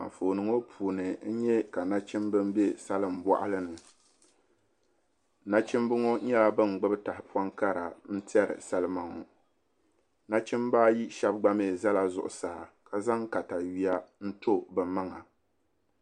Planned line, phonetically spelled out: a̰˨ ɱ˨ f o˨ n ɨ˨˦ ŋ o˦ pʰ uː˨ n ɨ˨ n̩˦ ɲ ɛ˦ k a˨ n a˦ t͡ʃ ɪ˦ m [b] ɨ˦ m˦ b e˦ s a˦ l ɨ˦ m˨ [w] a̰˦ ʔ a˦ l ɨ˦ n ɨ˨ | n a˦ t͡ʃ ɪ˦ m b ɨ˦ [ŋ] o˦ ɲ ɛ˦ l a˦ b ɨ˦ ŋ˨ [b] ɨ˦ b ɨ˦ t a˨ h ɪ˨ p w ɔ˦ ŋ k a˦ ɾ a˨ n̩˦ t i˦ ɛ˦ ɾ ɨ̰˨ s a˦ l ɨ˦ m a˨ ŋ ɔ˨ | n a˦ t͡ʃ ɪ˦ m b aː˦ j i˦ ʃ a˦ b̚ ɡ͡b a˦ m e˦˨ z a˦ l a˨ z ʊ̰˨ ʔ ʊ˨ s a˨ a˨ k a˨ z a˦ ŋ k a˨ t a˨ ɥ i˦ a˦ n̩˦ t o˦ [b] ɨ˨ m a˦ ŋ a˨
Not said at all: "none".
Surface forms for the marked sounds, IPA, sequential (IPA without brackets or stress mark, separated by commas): b, b, ŋ, ɡ͡b, b